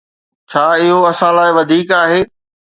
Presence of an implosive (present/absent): absent